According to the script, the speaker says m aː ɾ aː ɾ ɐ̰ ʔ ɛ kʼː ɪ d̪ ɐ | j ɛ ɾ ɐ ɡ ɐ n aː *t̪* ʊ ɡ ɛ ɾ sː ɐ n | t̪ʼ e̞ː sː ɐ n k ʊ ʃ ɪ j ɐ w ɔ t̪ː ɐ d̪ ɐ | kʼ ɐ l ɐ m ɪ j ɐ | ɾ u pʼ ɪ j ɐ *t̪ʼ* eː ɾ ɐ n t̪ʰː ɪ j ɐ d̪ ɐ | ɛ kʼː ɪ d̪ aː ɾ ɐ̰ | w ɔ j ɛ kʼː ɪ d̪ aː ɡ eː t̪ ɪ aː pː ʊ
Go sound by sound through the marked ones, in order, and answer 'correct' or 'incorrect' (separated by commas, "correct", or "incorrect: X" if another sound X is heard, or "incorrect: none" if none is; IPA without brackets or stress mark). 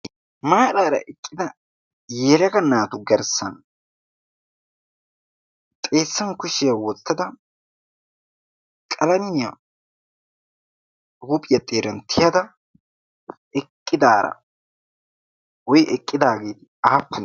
correct, correct